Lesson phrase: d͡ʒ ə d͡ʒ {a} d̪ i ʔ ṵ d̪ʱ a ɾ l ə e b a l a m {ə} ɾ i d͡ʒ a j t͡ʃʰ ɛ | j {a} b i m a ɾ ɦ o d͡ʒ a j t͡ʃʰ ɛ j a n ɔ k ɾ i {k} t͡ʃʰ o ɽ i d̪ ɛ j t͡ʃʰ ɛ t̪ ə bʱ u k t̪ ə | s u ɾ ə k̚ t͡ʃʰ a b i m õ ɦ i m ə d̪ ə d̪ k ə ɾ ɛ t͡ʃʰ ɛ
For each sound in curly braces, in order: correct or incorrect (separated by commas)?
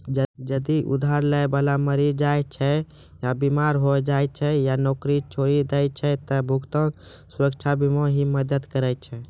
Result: incorrect, correct, correct, incorrect